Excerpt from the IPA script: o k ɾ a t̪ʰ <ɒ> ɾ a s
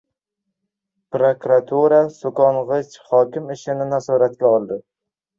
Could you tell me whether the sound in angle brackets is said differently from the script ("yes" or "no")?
yes